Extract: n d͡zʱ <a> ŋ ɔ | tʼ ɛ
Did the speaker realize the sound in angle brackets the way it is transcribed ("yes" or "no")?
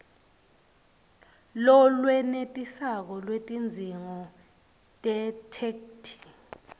no